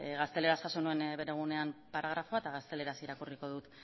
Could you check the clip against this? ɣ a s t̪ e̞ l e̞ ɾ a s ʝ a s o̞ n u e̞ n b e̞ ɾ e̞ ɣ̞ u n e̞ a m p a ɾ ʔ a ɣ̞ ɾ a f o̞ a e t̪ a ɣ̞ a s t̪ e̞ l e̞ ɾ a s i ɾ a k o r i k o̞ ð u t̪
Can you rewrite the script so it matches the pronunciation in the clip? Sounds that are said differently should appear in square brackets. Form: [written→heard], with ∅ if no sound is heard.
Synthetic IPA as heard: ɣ a s t̪ e̞ l e̞ ɾ a s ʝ a s o̞ n u e̞ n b e̞ ɾ e̞ ɣ̞ u n e̞ a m p a ɾ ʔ a ɣ̞ ɾ a f o̞ a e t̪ a ɣ̞ a s t̪ e̞ l e̞ ɾ a s i ɾ a k [o→u] r i k o̞ ð u t̪